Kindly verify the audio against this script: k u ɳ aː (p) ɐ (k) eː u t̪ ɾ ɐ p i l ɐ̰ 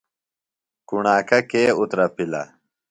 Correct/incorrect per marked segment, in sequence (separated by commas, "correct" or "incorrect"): incorrect, correct